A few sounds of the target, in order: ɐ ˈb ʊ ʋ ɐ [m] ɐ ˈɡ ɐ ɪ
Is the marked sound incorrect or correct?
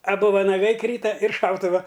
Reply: incorrect